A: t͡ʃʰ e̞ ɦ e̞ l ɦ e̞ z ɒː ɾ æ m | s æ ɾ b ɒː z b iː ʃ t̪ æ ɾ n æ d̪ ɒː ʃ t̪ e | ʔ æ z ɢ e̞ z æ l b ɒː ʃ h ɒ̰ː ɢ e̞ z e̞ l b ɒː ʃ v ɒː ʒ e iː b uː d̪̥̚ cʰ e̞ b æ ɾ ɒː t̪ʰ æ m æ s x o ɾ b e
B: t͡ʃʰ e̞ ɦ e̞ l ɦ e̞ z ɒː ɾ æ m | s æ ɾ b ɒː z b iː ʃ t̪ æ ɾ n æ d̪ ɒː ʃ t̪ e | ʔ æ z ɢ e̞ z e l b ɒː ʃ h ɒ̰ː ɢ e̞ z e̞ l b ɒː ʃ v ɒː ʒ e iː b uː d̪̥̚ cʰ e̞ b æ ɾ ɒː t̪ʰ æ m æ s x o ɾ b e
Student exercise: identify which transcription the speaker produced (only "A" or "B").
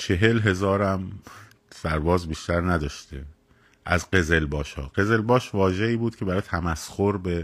B